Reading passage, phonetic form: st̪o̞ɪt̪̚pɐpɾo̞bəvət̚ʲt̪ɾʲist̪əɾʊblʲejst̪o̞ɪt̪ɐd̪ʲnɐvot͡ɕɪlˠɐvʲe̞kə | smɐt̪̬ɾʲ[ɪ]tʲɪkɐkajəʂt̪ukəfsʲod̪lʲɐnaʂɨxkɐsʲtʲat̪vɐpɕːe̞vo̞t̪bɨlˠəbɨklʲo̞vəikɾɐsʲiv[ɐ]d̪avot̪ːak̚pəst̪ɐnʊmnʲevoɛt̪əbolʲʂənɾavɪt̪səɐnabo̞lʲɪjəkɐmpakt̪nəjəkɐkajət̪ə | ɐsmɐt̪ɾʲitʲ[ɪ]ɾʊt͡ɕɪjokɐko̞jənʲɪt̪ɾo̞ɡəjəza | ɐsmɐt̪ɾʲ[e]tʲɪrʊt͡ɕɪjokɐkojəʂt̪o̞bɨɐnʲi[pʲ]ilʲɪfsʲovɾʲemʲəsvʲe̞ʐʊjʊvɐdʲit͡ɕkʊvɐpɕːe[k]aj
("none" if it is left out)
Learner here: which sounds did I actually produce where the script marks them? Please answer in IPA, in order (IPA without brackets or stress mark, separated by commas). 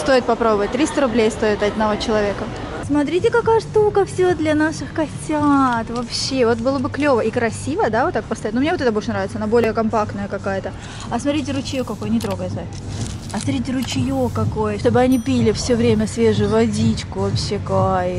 i, ə, ɪ, i, pʲ, k